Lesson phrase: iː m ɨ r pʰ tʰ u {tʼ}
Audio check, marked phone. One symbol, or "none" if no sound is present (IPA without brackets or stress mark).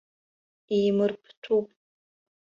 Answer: pʼ